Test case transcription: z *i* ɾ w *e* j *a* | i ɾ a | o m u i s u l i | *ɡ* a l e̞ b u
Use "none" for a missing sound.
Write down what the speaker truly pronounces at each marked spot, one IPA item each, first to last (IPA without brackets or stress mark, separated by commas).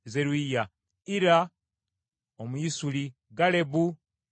e, i, a, ɡ